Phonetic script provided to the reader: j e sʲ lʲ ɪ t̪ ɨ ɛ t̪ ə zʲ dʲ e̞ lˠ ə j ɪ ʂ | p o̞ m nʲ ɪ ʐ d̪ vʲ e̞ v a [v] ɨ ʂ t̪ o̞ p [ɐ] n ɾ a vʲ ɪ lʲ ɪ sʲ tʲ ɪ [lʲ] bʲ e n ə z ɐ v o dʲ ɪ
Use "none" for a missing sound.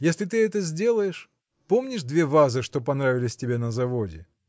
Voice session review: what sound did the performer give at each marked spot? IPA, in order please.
z, ɐ, none

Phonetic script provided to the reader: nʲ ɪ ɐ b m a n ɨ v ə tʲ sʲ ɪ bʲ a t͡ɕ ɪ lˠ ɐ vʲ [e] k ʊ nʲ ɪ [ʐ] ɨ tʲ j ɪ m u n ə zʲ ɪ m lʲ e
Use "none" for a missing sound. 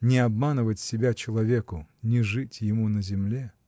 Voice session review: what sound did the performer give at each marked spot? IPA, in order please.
e, ʐ

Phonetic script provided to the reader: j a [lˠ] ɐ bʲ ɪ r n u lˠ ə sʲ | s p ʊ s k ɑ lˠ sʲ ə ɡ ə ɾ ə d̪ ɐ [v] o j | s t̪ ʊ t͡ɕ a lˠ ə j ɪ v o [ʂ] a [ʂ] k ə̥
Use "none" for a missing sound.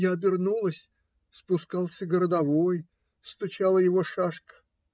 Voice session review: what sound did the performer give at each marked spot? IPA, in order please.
none, v, ʂ, ʂ

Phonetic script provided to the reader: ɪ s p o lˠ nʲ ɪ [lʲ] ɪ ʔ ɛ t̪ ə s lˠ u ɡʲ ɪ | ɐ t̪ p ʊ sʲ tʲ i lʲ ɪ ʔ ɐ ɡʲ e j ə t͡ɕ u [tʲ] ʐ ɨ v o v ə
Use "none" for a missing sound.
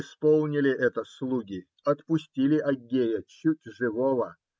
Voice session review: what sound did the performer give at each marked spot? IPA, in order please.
lʲ, tʲ

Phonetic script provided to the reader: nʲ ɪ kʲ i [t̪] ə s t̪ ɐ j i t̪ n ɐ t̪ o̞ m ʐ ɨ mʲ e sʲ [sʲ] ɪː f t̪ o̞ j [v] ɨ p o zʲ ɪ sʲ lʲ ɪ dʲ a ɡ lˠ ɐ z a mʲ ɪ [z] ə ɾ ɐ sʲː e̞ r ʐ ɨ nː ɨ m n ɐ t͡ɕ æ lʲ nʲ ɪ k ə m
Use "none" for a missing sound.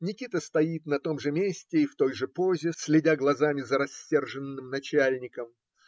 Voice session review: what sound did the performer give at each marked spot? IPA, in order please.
t̪, tʲ, ʐ, z

